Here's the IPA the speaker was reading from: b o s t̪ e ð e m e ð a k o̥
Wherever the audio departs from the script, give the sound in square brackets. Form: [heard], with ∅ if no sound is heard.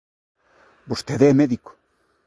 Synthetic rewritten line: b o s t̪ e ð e m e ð [i] k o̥